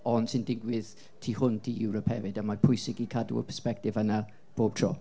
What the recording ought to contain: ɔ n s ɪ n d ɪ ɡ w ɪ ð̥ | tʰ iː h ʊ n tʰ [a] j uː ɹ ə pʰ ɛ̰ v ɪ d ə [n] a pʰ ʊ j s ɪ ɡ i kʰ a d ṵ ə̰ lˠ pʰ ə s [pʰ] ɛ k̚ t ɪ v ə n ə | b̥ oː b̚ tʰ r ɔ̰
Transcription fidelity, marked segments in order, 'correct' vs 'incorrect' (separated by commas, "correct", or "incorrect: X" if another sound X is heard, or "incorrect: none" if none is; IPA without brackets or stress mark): incorrect: i, incorrect: m, incorrect: p